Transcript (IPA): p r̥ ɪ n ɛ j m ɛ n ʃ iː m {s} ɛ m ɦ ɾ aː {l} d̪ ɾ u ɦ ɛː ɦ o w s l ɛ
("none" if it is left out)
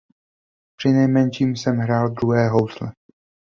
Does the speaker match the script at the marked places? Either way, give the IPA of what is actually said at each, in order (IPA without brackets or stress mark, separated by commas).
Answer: s, l